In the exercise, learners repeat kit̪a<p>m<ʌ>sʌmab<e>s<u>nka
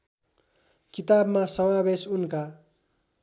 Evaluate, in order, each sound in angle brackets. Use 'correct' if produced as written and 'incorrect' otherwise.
incorrect, incorrect, correct, correct

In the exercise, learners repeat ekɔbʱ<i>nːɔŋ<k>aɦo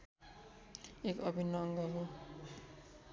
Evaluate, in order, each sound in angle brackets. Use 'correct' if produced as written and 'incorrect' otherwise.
correct, incorrect

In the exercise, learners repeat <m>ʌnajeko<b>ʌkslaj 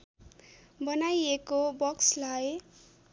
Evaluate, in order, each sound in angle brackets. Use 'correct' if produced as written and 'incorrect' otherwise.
incorrect, correct

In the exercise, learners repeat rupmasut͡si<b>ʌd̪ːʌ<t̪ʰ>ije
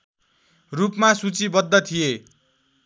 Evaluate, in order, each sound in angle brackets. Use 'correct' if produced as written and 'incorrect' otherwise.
correct, correct

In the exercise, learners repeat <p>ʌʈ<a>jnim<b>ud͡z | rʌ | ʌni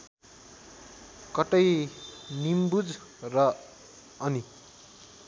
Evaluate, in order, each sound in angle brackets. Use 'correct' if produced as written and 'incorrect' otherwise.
incorrect, incorrect, correct

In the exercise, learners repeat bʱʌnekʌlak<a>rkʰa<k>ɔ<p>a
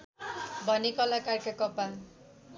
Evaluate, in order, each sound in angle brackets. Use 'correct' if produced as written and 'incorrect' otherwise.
correct, correct, correct

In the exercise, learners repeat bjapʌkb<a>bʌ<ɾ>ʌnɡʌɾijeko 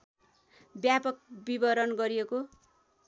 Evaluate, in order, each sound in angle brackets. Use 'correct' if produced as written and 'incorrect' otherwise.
incorrect, correct

